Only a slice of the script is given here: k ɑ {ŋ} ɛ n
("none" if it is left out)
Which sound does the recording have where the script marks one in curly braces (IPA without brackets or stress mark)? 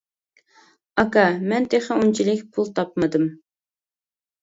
m